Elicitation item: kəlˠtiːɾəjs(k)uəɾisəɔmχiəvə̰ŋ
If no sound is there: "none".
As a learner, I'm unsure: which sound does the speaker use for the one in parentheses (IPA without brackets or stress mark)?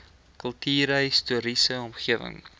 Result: t